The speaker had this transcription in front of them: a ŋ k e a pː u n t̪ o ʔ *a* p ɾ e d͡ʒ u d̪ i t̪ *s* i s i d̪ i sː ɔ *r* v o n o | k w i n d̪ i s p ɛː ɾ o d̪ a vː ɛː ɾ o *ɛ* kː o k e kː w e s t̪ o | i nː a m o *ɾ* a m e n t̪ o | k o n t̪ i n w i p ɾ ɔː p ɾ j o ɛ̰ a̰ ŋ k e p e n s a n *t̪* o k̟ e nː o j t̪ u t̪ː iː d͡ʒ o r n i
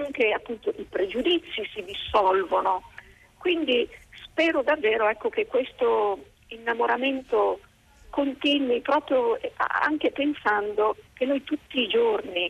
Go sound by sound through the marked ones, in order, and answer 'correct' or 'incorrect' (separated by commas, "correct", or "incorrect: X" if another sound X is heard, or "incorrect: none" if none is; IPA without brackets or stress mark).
incorrect: i, incorrect: sː, incorrect: l, correct, correct, incorrect: d̪